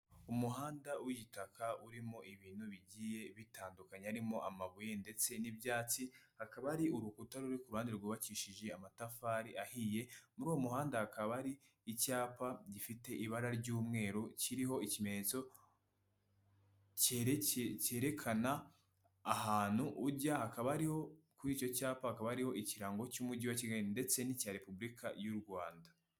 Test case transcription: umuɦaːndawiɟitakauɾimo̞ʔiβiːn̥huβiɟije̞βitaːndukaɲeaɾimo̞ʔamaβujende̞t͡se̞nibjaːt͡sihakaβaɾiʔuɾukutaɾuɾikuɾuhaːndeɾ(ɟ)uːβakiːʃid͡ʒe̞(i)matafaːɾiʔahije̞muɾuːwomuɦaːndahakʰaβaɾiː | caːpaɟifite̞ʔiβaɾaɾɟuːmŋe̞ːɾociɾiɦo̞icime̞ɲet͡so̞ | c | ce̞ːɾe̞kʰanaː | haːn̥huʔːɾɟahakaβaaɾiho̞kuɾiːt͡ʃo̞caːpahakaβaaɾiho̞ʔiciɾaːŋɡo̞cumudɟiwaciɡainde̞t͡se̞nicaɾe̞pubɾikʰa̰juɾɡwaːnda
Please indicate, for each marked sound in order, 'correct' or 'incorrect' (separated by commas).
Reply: incorrect, incorrect